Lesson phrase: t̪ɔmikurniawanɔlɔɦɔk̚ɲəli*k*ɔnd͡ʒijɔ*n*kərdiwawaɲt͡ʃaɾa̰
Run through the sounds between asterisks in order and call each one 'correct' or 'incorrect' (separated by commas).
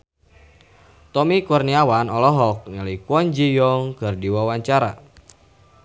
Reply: correct, incorrect